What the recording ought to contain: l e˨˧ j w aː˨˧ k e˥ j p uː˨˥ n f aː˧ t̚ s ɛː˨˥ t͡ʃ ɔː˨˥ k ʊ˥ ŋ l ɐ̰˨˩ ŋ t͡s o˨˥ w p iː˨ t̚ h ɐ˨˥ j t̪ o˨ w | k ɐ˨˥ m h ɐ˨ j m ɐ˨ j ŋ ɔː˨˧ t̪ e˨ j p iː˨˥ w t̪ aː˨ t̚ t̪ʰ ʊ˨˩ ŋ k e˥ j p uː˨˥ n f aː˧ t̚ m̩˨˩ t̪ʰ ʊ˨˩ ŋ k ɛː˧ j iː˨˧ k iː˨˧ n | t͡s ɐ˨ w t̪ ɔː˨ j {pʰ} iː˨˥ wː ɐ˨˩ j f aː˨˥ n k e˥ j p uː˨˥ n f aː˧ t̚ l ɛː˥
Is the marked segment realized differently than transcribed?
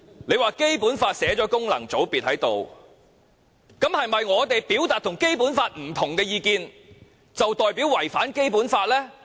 yes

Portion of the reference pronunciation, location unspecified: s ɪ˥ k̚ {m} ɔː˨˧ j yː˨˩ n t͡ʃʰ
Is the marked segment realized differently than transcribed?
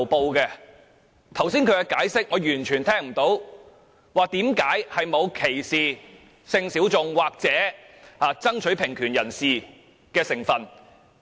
yes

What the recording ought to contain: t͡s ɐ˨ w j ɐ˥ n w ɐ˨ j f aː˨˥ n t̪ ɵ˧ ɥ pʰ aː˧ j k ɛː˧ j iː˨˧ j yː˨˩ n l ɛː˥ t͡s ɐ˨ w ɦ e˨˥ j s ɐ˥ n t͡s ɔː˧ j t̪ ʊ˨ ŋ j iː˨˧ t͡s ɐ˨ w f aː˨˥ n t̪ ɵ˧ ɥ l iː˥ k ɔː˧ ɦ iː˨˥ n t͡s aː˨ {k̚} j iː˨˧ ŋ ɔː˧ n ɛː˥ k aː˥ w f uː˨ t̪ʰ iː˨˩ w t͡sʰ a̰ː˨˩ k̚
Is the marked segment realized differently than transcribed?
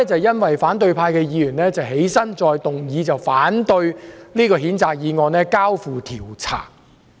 no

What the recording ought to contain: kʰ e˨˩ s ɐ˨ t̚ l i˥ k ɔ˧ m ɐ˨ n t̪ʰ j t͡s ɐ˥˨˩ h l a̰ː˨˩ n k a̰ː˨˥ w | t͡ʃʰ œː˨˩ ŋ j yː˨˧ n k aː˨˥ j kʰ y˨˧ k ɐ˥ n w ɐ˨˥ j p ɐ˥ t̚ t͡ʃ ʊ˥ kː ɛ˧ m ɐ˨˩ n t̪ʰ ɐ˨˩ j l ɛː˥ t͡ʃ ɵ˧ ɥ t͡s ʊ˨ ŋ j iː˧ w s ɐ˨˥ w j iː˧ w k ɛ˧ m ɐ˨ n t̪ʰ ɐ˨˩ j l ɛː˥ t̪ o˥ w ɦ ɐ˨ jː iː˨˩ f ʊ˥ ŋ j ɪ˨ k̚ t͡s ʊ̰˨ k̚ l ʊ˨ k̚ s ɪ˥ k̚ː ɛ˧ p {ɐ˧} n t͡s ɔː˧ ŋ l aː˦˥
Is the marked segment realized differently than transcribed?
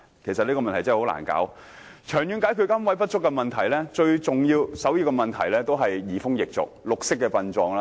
no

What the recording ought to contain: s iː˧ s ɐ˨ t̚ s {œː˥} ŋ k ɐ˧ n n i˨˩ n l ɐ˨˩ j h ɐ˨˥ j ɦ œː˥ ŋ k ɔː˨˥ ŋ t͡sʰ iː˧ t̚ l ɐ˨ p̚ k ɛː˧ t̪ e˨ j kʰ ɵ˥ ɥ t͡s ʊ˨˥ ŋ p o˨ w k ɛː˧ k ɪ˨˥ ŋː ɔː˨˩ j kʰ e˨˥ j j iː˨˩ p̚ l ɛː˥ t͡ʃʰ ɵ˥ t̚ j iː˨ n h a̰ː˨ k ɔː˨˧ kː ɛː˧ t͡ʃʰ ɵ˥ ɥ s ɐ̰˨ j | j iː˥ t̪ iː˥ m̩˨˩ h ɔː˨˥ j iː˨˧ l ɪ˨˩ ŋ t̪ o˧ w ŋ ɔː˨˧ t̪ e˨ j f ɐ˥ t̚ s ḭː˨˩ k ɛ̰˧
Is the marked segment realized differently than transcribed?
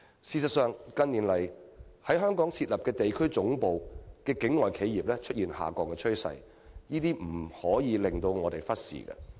yes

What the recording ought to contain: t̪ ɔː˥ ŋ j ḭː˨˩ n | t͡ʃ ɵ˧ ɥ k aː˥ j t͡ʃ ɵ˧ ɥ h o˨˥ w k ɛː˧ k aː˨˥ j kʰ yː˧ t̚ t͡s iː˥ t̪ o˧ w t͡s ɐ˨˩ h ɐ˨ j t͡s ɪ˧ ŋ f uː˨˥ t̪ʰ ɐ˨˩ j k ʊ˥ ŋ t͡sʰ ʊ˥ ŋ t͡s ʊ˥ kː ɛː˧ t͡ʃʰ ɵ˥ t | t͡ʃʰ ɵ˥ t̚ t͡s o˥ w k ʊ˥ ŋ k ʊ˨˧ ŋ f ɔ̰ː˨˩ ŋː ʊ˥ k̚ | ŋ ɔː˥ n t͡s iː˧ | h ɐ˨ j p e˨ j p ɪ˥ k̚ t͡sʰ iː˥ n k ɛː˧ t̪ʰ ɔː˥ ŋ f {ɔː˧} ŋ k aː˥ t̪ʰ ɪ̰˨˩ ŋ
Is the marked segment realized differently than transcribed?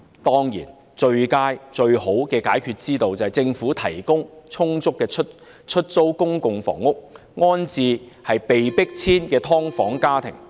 yes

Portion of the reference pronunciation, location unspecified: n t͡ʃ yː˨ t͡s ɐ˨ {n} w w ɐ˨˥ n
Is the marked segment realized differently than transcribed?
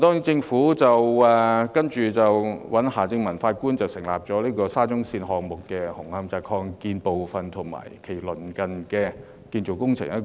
yes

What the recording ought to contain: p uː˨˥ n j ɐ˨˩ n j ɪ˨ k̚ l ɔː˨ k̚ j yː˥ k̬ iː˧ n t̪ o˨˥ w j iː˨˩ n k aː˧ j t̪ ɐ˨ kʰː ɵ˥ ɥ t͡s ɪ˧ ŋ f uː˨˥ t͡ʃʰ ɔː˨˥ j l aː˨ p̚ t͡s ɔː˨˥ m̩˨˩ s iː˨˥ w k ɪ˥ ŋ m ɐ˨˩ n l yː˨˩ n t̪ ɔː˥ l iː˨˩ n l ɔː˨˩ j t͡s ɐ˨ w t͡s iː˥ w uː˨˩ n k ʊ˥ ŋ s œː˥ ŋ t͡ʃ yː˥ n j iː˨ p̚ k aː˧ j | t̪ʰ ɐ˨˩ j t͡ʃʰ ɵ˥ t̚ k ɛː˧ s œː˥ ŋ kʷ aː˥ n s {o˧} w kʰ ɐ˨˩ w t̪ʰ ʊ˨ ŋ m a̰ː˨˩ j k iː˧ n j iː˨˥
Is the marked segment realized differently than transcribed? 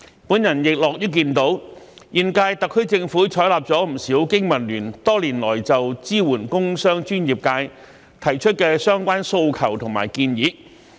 no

